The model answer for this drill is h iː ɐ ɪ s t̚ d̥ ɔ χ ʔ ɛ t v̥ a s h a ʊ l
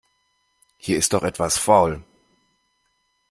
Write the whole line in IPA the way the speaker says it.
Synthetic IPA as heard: h iː ɐ ɪ s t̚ d̥ ɔ χ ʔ ɛ t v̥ a s f a ʊ l